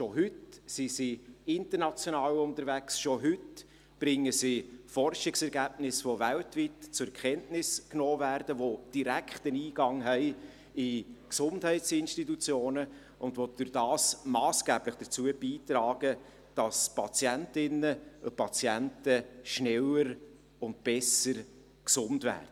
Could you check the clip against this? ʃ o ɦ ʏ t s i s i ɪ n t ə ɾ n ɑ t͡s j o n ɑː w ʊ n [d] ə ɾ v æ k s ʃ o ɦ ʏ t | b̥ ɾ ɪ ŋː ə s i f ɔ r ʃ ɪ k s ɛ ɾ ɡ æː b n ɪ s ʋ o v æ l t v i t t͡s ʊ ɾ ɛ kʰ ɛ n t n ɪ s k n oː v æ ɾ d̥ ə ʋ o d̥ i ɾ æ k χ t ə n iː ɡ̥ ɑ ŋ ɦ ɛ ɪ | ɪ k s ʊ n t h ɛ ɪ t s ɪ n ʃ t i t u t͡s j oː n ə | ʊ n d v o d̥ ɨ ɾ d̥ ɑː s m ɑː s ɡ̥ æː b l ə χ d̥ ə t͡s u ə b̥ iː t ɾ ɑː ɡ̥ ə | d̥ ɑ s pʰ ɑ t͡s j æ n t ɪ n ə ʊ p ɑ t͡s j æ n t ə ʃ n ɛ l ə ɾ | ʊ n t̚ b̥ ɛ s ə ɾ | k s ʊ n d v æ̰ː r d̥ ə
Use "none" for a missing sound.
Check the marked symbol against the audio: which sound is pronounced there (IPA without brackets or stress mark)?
t